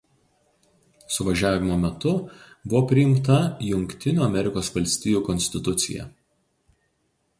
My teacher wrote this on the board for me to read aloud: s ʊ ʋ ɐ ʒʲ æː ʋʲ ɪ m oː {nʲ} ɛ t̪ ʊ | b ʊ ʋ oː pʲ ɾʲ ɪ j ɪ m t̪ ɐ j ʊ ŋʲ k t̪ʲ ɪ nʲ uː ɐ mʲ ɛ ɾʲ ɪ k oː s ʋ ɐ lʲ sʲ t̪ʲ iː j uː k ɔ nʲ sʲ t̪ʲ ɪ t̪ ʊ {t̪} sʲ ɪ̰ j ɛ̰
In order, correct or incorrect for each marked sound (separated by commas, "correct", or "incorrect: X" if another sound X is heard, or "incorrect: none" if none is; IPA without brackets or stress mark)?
incorrect: mʲ, correct